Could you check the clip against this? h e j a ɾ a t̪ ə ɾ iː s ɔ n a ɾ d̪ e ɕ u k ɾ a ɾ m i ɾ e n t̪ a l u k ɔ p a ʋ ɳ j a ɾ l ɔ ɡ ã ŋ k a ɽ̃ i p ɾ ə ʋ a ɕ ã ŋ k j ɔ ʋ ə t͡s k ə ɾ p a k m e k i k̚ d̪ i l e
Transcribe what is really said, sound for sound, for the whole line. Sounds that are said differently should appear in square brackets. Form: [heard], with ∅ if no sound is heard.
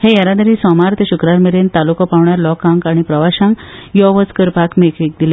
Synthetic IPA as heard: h e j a ɾ a [d̪] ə ɾ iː s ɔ [m] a ɾ [t̪] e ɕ u k ɾ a ɾ m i ɾ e n t̪ a l u k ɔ p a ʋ ɳ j a ɾ l ɔ [k] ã ŋ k a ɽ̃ i p ɾ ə ʋ a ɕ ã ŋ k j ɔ ʋ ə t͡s k ə ɾ p a k m e k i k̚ d̪ i l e